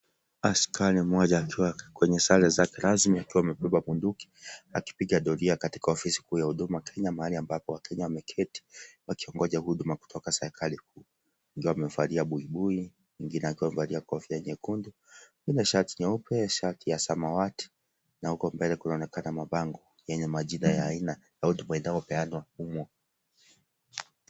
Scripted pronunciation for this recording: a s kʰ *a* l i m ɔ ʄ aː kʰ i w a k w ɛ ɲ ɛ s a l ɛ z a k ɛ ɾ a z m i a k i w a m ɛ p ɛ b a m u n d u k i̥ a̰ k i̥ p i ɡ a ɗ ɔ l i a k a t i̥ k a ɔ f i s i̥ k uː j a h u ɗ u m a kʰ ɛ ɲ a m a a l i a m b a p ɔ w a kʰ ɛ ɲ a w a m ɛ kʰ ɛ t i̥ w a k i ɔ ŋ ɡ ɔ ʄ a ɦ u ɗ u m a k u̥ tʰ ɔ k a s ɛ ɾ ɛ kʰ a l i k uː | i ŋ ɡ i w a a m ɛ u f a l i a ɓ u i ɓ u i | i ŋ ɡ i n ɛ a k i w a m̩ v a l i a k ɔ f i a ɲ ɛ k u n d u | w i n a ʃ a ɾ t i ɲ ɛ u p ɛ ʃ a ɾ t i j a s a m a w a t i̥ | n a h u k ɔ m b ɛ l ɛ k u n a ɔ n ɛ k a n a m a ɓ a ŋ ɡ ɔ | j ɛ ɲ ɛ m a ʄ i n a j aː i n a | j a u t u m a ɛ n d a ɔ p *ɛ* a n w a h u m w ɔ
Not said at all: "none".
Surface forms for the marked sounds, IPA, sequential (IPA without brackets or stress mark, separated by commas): a, ɛ